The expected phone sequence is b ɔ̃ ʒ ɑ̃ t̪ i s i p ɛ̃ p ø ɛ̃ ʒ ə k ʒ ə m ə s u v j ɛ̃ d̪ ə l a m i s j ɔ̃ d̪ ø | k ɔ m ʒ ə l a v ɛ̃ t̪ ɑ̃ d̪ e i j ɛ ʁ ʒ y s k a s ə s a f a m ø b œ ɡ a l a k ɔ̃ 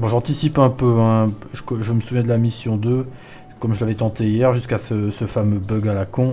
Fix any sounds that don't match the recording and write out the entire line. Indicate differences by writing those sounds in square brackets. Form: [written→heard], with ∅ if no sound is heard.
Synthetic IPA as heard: b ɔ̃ ʒ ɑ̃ t̪ i s i p ɛ̃ p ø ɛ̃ ʒ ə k ʒ ə m ə s u v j ɛ̃ d̪ ə l a m i s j ɔ̃ d̪ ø | k ɔ m ʒ ə l a v [ɛ̃→ɛ] t̪ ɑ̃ [d̪→t̪] e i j ɛ ʁ ʒ y s k a s ə s [a→ə] f a m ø b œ ɡ a l a k ɔ̃